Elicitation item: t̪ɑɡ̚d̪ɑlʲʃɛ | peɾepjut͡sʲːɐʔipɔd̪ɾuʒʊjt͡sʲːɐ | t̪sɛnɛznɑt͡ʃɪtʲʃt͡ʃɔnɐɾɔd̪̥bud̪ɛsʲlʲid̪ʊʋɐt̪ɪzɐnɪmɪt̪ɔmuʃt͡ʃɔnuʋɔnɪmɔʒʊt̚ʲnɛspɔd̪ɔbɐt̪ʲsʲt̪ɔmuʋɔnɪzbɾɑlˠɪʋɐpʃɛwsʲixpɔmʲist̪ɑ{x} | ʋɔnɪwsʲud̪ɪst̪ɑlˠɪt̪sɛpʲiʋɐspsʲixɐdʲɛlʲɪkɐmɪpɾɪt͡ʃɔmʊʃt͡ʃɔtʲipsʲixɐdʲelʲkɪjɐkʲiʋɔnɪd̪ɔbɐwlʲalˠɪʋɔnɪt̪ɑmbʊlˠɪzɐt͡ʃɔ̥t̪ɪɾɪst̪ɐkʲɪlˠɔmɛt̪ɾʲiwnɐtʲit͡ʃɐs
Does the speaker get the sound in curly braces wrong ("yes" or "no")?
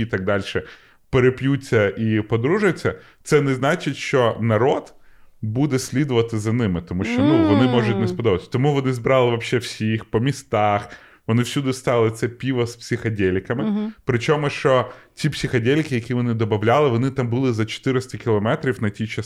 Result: no